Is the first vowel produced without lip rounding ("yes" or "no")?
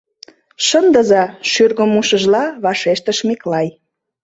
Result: yes